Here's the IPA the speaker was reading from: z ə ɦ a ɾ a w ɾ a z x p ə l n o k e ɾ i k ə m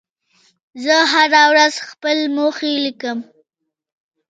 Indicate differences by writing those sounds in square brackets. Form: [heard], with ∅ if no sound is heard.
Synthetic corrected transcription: z ə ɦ a ɾ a w ɾ a z x p ə l [m] o [x] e [l] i k ə m